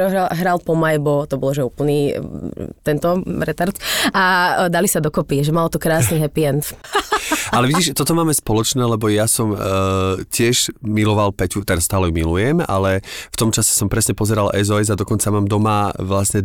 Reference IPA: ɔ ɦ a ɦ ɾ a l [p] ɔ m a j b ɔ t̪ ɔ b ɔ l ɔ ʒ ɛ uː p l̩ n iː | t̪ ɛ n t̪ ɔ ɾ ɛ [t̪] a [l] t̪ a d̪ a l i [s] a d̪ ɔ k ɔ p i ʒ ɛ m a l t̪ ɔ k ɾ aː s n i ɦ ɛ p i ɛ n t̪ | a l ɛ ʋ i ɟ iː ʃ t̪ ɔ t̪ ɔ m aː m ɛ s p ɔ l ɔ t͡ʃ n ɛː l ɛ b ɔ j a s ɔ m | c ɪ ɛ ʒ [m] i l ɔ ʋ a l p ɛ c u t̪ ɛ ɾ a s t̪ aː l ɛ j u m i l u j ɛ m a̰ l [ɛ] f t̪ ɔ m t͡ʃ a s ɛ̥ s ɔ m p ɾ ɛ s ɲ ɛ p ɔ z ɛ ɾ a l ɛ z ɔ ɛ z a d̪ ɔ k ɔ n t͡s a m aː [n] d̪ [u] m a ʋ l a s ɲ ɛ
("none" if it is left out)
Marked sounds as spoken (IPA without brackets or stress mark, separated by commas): p, t̪, ɾ, s, m, ɛ, m, ɔ